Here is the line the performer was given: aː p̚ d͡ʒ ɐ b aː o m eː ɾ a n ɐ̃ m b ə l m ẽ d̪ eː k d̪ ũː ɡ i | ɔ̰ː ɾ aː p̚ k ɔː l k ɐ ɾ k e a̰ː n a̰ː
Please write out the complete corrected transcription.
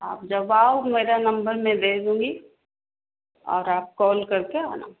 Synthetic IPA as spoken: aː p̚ d͡ʒ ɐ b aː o m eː ɾ a n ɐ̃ m b ə ɾ m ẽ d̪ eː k d̪ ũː ɡ i | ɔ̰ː ɾ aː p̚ k ɔː l k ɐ ɾ k e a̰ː n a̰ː